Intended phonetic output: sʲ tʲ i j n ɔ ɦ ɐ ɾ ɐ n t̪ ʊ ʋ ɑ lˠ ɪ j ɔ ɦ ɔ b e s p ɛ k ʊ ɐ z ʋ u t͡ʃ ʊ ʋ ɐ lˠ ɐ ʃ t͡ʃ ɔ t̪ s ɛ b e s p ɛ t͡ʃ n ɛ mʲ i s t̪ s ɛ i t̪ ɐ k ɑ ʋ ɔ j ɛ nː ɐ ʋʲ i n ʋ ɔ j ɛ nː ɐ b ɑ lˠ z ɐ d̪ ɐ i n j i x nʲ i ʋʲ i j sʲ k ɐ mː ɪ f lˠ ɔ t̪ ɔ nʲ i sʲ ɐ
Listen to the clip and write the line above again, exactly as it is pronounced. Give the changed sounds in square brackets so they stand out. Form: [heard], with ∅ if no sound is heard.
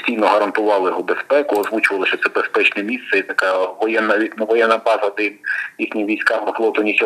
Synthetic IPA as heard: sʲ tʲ i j n ɔ ɦ ɐ ɾ ɐ n t̪ ʊ ʋ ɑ lˠ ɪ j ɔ ɦ ɔ b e s p ɛ k ʊ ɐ z ʋ u t͡ʃ ʊ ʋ ɐ lˠ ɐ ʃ t͡ʃ ɔ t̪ s ɛ b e s p ɛ t͡ʃ n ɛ mʲ i s t̪ s ɛ i t̪ ɐ k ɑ ʋ ɔ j ɛ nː ɐ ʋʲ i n ʋ ɔ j ɛ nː ɐ b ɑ [∅] z ɐ d̪ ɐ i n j i x nʲ i ʋʲ i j sʲ k [ɑ] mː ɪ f lˠ ɔ t̪ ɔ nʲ i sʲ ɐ